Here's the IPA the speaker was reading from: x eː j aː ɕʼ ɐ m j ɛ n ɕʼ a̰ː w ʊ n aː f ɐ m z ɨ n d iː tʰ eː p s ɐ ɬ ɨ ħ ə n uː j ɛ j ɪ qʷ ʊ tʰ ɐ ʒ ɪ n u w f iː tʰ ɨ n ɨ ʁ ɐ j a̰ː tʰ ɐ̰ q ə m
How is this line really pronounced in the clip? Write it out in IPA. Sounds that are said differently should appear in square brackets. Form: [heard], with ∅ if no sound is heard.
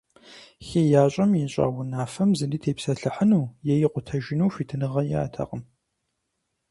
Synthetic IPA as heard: x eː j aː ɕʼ ɐ m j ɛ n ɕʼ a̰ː w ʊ n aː f ɐ m z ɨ n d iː tʰ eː p s ɐ ɬ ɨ ħ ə n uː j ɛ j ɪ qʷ ʊ tʰ ɐ ʒ ɪ n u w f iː tʰ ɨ n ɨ ʁ ɐ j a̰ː tʰ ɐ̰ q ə m